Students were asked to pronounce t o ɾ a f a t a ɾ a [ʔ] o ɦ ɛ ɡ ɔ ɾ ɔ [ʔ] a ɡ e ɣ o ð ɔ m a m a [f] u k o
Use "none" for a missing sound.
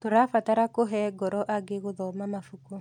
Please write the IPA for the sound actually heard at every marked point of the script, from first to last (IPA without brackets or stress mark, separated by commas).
k, ʔ, f